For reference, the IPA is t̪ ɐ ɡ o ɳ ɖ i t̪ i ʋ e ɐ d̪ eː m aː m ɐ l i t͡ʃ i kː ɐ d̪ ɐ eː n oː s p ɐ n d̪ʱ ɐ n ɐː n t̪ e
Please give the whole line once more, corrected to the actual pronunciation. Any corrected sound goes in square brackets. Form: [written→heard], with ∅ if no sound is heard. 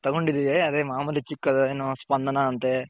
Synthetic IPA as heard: t̪ ɐ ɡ o ɳ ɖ i [t̪→d̪] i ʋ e ɐ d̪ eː m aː m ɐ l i t͡ʃ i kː ɐ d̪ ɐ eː n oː s p ɐ n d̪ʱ ɐ n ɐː n t̪ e

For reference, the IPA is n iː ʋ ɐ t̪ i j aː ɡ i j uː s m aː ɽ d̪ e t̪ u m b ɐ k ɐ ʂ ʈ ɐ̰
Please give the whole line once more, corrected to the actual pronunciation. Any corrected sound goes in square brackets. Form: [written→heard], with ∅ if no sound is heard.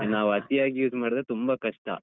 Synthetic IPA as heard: n [iː→aː] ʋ ɐ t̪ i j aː ɡ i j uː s m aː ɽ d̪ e t̪ u m b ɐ k ɐ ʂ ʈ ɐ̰

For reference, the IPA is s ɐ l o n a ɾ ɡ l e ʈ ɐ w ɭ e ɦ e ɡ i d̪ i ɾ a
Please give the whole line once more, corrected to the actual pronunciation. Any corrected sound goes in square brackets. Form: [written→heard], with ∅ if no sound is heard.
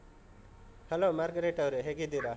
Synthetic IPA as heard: [s→h] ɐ l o [n→m] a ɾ ɡ [l→ɾ] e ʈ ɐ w [ɭ→ɾ] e ɦ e ɡ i d̪ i ɾ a

